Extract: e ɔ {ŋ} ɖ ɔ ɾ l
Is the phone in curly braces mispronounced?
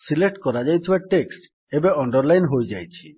yes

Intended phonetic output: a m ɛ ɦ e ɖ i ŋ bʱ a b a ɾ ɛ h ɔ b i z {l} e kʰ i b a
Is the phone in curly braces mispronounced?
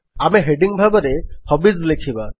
no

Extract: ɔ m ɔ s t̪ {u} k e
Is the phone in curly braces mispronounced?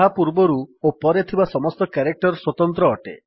yes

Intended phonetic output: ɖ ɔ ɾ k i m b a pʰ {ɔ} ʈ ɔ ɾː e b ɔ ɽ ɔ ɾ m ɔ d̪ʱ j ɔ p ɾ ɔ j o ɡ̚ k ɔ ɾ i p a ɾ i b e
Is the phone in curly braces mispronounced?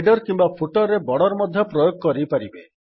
yes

